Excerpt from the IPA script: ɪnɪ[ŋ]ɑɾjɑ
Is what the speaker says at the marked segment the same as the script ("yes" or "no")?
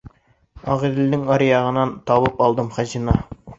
yes